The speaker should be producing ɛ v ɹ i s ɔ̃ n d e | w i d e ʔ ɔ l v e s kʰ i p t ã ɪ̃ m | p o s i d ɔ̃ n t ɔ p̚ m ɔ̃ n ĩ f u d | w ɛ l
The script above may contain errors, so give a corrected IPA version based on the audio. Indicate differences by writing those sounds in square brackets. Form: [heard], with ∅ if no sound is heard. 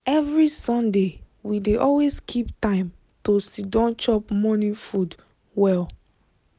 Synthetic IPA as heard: ɛ v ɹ i s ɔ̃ n d e | w i d e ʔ ɔ l [w] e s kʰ i p t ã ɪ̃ m | [t] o s i d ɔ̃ n [t͡ʃ] ɔ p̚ m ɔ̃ n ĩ f u d | w ɛ l